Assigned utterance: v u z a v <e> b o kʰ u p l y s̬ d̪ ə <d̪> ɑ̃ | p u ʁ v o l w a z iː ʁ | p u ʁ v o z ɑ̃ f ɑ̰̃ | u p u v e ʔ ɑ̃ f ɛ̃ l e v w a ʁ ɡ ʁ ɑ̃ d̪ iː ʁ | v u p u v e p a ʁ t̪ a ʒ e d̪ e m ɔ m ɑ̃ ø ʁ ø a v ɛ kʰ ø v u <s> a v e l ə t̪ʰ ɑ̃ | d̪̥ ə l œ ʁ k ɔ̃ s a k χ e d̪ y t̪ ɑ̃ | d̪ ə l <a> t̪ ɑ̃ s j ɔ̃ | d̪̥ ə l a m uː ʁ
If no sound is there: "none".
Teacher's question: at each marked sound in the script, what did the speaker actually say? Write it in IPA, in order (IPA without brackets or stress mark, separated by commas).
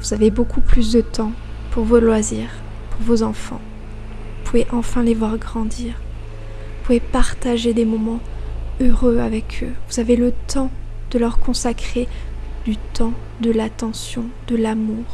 e, t̪, z, a